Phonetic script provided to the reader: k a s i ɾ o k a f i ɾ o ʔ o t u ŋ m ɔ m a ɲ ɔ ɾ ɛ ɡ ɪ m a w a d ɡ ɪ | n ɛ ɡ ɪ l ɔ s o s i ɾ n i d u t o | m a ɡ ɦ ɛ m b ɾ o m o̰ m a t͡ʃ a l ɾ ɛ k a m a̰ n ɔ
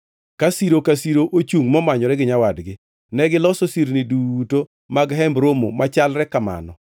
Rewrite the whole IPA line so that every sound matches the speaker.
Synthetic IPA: k a s i ɾ o k a s i ɾ o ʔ o t͡ʃ u ŋ m ɔ m a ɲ ɔ ɾ ɛ ɡ ɪ ɲ a w a d ɡ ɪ | n ɛ ɡ ɪ l ɔ s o s i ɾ n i d u t o | m a ɡ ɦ ɛ m b ɾ o m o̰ m a t͡ʃ a l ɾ ɛ k a m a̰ n ɔ